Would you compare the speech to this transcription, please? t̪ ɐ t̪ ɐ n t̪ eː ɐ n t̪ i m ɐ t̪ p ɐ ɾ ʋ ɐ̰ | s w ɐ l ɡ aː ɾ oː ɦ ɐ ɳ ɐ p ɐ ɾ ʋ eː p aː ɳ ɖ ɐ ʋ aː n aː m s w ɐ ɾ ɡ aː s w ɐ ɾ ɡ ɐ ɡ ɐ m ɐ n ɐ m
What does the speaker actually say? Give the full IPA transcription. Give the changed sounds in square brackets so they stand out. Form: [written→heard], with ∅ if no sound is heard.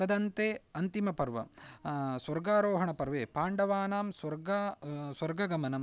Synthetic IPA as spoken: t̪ ɐ [t̪→d̪] ɐ n t̪ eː ɐ n t̪ i m ɐ [t̪→∅] p ɐ ɾ ʋ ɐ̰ | s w ɐ [l→ɾ] ɡ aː ɾ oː ɦ ɐ ɳ ɐ p ɐ ɾ ʋ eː p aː ɳ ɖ ɐ ʋ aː n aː m s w ɐ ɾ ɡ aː s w ɐ ɾ ɡ ɐ ɡ ɐ m ɐ n ɐ m